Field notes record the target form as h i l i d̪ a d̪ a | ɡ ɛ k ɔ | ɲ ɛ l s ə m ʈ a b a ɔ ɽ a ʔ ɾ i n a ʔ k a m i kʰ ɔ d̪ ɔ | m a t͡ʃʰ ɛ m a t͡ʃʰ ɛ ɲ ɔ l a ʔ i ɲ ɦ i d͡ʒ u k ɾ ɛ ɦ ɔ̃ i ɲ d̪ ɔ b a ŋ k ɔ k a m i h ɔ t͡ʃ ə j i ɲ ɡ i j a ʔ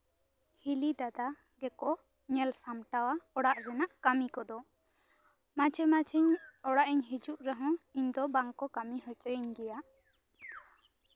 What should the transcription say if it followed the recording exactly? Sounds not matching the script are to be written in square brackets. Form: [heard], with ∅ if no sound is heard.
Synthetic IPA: h i l i d̪ a d̪ a | ɡ ɛ k ɔ | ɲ ɛ l s [a] m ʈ a [w] a ɔ ɽ a ʔ ɾ [ɛ] n a ʔ k a m i [k] ɔ d̪ ɔ | m a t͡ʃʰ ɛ m a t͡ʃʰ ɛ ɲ ɔ [ɽ] a ʔ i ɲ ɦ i d͡ʒ u [ʔ] ɾ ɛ ɦ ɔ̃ i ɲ d̪ ɔ b a ŋ k ɔ k a m i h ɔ t͡ʃ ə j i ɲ ɡ [ɛ] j a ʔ

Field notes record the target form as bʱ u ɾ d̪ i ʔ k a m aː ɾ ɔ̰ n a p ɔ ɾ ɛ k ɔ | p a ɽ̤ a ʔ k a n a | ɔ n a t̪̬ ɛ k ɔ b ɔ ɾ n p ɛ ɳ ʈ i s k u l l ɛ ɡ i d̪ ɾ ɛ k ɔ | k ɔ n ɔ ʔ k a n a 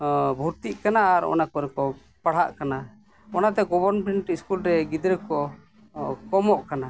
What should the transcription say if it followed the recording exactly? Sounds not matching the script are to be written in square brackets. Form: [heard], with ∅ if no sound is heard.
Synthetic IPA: bʱ u ɾ [t̪] i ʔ k a [n] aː ɾ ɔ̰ n a [k] ɔ ɾ ɛ k ɔ | p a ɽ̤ a ʔ k a n a | ɔ n a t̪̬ ɛ [ɡ] ɔ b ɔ ɾ n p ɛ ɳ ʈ i s k u l [ɾ] ɛ ɡ i d̪ ɾ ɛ k ɔ | k ɔ [m] ɔ ʔ k a n a

